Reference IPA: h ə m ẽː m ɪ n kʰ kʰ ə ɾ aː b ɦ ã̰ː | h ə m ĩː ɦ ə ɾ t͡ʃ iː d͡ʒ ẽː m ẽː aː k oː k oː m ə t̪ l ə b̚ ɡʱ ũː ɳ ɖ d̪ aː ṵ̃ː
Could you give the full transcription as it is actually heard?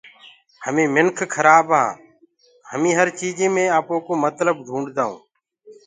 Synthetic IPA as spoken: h ə m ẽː m ɪ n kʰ kʰ ə ɾ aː b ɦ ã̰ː | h ə m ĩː ɦ ə ɾ t͡ʃ iː d͡ʒ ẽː m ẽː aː p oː k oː m ə t̪ l ə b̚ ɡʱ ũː ɳ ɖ d̪ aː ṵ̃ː